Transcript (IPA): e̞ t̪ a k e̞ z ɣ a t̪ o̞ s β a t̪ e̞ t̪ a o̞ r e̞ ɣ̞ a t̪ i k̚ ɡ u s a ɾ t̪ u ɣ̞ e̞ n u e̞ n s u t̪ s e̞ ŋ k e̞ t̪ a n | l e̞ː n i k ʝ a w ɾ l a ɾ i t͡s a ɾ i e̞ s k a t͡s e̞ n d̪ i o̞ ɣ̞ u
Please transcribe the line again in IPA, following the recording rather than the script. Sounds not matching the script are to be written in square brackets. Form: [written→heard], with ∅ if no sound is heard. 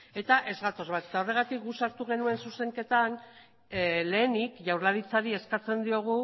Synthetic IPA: e̞ t̪ a [k→ʔ] e̞ z ɣ a t̪ o̞ [s→z] β a t̪ e̞ t̪ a o̞ r e̞ ɣ̞ a t̪ i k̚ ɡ u s a ɾ t̪ u ɣ̞ e̞ n u e̞ n s u [t̪→∅] s e̞ ŋ k e̞ t̪ a n | l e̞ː n i k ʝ a w ɾ l a ɾ i t͡s a ɾ i e̞ s k a t͡s e̞ n d̪ i o̞ ɣ̞ u